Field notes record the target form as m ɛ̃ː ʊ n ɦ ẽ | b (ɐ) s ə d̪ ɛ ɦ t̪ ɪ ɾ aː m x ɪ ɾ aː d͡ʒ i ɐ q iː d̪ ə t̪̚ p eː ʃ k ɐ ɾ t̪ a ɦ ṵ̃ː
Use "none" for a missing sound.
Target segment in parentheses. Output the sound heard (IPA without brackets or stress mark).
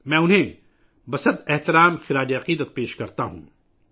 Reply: ɐ